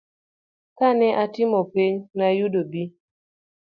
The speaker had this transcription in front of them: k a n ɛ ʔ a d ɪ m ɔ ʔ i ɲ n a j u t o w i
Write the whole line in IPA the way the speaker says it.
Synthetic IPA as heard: k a n ɛ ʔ a t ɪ m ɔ p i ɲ n a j u d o b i